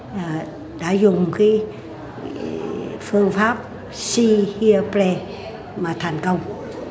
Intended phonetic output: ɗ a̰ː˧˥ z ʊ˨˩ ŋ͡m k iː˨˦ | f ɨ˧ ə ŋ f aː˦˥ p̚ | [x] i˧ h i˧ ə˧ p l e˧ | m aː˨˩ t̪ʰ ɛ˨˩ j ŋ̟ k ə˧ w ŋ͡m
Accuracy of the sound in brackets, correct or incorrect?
incorrect